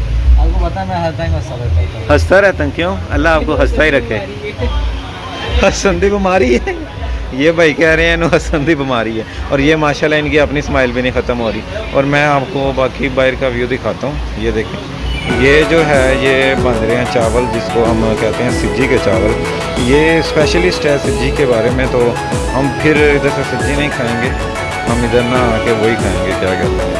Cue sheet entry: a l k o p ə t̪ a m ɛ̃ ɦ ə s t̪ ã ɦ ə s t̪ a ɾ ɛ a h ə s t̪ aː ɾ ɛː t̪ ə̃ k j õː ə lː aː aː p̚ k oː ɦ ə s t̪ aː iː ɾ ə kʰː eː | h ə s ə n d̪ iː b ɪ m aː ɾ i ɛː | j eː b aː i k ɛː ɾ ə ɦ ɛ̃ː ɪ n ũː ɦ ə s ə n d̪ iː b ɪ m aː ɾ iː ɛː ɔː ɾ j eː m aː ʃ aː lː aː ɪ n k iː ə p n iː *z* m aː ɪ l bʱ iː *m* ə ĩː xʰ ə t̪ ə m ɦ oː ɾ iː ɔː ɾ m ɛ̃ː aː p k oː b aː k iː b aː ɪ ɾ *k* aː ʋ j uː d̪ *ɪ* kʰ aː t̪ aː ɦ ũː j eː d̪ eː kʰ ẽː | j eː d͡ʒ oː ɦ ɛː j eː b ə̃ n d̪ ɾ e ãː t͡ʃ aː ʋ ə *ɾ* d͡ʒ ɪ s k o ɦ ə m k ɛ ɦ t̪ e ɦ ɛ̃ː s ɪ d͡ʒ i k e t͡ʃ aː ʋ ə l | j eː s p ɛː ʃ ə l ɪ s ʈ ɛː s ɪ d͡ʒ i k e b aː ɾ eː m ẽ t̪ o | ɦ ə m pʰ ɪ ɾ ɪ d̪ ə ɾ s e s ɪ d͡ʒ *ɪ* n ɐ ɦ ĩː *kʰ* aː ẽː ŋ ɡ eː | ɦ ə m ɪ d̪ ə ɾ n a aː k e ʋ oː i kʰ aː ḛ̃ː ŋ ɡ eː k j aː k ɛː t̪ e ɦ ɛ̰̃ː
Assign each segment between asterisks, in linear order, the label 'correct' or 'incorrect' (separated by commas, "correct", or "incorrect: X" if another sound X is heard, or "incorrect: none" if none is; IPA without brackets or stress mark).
incorrect: s, incorrect: n, correct, correct, incorrect: l, incorrect: i, correct